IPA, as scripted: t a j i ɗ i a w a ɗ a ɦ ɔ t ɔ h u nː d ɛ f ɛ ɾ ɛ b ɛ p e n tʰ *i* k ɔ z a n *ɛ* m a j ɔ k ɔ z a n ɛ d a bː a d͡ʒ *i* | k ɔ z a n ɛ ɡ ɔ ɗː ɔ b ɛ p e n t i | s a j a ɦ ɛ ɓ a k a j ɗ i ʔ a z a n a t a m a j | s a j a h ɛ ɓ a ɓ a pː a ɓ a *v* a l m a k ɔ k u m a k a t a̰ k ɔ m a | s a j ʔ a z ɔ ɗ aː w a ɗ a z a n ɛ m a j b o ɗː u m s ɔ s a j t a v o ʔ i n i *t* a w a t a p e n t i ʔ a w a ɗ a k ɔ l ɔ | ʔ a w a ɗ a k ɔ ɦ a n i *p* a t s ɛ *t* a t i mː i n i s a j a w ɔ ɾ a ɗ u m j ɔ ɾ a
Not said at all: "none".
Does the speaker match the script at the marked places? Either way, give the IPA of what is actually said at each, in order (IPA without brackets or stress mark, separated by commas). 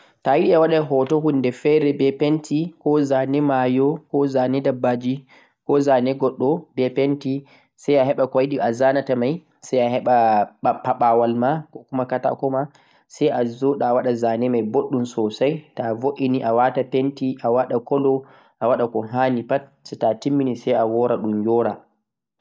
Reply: i, ɛ, i, w, ʔ, p, t